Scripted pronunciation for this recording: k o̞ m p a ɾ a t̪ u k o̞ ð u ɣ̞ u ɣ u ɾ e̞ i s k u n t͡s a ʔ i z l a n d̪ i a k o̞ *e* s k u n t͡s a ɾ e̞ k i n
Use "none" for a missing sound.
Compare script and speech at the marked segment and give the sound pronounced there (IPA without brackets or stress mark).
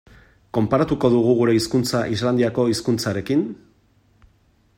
i